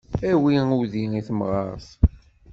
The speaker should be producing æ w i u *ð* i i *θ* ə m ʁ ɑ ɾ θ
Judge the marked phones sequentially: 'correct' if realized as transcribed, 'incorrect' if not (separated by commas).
correct, correct